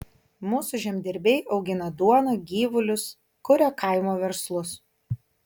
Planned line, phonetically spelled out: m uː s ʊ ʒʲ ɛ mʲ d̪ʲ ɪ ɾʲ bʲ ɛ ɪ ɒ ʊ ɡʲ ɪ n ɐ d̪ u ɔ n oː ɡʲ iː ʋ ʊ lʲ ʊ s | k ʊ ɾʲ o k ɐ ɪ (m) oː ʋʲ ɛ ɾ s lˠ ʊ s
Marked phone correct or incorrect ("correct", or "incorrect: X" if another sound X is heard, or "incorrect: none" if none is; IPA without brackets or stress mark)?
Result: correct